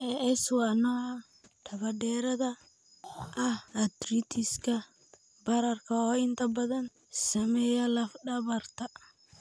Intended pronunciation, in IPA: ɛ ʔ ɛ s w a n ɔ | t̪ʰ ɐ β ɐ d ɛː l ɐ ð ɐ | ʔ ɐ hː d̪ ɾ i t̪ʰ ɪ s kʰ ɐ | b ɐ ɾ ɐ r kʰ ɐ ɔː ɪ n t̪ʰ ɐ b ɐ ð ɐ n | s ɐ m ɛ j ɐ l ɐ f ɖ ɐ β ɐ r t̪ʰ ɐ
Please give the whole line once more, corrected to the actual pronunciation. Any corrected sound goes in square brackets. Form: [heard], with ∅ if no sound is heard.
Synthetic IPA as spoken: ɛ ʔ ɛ s w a n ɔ | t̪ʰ ɐ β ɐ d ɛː [ɾ] ɐ ð ɐ | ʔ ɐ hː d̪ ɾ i t̪ʰ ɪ s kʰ ɐ | b ɐ ɾ ɐ r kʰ ɐ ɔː ɪ n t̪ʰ ɐ b ɐ ð ɐ n | s ɐ m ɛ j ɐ l ɐ f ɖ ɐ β ɐ r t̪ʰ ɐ